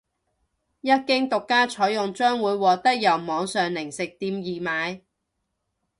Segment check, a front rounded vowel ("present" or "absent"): present